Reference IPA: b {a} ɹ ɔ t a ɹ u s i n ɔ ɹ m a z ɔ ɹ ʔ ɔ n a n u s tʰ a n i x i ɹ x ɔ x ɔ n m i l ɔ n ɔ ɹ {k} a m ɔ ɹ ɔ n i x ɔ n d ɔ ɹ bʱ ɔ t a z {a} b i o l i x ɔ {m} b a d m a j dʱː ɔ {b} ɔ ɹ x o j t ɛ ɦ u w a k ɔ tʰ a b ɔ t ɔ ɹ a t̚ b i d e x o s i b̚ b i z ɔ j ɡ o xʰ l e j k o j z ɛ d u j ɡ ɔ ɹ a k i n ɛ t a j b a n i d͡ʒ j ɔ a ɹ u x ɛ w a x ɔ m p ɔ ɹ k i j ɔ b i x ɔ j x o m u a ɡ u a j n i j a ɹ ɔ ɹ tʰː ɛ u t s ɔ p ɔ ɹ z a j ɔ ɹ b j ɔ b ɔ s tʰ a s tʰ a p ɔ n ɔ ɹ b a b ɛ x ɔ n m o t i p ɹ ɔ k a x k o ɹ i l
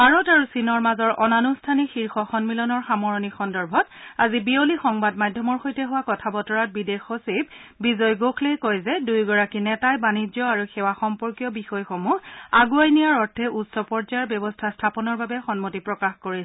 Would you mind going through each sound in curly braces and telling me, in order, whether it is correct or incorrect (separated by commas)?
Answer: correct, incorrect, incorrect, incorrect, incorrect